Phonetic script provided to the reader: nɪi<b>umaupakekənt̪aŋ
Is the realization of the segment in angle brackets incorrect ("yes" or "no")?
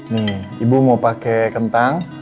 no